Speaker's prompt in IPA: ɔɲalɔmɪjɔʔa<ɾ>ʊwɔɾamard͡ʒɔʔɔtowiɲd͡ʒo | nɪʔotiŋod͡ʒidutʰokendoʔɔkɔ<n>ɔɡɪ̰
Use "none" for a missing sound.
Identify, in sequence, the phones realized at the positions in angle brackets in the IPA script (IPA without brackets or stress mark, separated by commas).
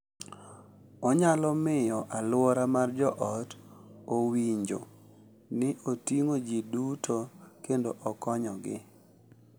l, ɲ